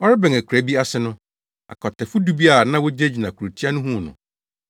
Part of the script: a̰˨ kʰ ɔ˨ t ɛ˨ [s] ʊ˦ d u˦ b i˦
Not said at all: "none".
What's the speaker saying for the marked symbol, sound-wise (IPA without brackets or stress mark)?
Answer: f